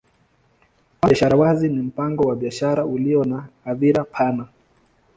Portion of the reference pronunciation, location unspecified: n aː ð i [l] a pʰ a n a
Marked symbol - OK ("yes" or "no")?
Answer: no